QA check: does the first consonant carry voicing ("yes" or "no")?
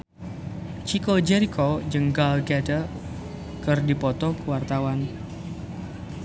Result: no